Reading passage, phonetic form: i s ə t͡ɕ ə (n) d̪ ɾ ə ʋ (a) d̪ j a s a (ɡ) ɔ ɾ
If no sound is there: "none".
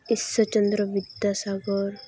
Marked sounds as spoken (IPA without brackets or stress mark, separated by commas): n, i, ɡ